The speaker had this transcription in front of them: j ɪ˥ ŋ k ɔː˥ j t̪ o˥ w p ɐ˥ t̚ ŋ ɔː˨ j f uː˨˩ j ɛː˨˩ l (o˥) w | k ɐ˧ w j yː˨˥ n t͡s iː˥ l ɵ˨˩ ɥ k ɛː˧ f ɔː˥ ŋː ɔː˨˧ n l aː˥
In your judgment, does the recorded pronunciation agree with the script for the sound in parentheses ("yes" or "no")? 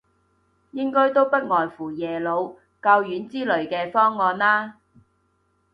no